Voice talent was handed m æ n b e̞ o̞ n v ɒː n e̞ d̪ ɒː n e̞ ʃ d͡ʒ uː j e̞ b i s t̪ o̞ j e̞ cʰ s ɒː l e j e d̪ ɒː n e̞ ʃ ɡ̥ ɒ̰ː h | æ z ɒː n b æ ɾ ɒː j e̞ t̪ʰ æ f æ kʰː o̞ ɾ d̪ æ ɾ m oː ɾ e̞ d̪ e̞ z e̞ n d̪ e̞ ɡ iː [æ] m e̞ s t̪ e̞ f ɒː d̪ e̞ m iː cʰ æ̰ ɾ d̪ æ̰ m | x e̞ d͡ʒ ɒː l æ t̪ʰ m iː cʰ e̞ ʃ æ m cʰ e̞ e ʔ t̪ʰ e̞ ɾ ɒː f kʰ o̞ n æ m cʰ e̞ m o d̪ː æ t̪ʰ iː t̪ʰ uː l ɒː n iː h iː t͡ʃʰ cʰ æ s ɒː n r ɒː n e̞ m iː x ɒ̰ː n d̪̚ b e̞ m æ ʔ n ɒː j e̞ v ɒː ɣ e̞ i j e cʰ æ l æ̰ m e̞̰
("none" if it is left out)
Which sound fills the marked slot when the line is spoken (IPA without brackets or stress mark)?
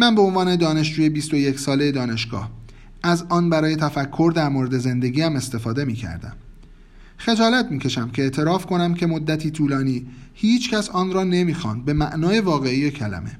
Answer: æ